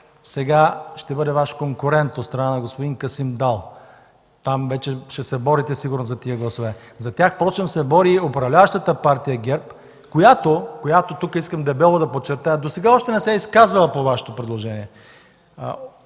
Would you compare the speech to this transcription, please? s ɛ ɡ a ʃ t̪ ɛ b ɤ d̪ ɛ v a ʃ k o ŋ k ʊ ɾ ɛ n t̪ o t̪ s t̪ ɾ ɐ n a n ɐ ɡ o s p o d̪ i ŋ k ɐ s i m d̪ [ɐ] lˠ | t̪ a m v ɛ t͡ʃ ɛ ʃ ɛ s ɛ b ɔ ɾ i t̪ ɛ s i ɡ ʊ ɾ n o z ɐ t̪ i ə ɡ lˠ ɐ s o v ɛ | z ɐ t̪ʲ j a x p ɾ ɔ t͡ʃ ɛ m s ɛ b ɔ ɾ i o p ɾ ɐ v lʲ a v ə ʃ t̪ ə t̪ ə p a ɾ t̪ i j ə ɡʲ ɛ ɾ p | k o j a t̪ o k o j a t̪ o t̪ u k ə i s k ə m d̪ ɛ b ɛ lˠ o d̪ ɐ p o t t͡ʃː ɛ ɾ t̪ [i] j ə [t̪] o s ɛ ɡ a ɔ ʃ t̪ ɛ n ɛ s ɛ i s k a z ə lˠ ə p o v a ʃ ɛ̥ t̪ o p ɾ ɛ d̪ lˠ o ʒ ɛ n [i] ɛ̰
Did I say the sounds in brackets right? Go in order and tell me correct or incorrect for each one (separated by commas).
incorrect, incorrect, incorrect, correct